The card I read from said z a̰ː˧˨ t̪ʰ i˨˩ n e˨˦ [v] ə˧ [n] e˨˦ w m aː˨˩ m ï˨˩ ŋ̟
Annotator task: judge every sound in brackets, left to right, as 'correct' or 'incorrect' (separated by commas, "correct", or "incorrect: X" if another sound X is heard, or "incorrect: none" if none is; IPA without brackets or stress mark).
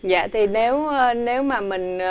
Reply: incorrect: w, correct